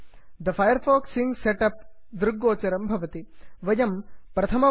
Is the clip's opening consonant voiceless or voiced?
voiced